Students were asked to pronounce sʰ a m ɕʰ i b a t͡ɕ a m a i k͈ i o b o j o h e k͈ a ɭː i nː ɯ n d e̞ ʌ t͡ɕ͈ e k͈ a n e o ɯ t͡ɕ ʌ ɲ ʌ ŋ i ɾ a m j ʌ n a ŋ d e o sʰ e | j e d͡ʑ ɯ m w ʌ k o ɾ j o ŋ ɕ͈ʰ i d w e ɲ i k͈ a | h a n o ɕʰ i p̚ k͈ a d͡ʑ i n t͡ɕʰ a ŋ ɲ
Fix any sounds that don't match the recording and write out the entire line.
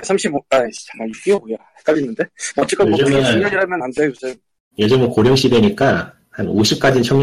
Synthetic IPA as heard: sʰ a m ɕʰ i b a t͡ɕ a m a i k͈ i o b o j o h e k͈ a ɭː i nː ɯ n d e̞ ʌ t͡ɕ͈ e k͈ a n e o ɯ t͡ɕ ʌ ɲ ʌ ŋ i ɾ a m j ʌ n a n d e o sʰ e | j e d͡ʑ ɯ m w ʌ k o ɾ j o ŋ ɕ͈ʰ i d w e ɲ i k͈ a | h a n o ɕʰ i p̚ k͈ a d͡ʑ i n t͡ɕʰ ʌ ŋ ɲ